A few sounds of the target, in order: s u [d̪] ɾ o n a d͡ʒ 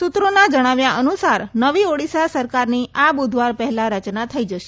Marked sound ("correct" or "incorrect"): incorrect